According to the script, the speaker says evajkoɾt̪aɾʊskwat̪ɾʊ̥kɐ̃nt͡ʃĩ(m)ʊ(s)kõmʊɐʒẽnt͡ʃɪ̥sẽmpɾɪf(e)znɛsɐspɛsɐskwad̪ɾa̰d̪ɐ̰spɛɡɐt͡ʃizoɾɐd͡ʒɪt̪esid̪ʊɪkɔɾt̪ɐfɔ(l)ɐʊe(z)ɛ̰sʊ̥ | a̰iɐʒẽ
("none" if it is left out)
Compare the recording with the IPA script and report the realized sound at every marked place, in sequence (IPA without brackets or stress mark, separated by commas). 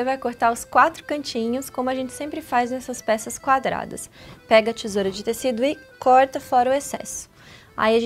ɲ, s, a, ɾ, s